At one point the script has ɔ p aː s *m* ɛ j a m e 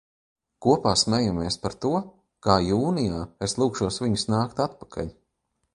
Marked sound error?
no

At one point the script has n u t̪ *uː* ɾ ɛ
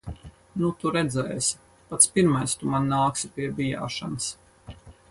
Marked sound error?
yes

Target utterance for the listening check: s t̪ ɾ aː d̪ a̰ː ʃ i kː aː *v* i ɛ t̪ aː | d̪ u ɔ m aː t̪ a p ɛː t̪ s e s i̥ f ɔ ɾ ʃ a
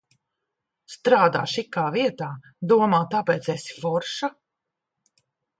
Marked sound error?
no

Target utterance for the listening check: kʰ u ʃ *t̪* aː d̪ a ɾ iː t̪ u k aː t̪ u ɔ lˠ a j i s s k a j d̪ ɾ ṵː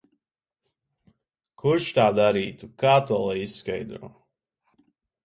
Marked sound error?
no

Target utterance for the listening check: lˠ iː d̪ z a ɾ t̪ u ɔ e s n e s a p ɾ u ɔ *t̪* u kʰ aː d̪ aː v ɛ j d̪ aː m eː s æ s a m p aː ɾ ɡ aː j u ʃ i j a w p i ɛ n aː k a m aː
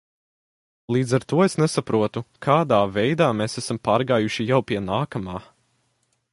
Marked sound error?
no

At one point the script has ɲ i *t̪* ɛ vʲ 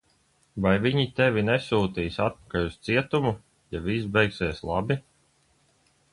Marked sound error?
no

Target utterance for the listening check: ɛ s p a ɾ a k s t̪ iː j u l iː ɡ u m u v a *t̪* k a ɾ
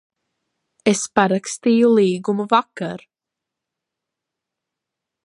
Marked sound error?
yes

